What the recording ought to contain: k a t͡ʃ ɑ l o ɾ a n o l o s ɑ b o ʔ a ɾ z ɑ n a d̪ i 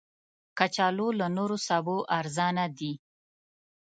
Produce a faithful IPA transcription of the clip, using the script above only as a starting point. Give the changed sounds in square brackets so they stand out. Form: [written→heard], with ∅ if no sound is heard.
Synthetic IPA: k a t͡ʃ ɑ l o [ɾ→l] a n o [l→ɾ] o s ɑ b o ʔ a ɾ z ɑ n a d̪ i